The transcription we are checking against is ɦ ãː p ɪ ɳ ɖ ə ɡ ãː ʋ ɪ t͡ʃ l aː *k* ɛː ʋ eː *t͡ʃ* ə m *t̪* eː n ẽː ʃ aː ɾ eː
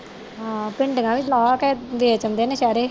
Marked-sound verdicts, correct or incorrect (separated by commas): correct, correct, incorrect